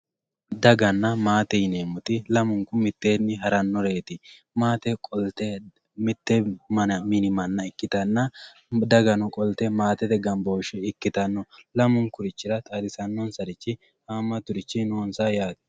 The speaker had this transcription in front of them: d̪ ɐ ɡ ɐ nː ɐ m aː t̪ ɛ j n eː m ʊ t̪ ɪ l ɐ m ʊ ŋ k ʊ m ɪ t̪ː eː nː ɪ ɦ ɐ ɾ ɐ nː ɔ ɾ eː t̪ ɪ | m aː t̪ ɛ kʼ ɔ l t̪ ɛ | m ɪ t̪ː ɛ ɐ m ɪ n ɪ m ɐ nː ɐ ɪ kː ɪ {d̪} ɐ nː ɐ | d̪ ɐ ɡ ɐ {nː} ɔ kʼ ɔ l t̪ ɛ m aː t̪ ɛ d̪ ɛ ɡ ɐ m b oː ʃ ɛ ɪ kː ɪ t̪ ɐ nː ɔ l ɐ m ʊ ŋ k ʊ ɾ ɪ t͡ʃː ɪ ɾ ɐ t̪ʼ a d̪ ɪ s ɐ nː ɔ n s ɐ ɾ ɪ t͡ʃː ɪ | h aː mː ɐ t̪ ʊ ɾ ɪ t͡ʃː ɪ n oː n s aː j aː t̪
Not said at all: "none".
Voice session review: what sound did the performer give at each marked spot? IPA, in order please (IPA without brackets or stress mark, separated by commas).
t̪, n